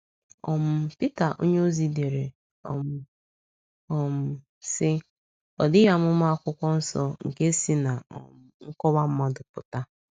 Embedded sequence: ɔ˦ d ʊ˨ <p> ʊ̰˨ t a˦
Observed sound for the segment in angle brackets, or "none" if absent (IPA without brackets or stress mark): p